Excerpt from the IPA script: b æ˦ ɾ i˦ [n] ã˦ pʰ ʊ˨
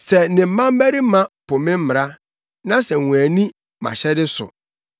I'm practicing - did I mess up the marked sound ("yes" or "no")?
yes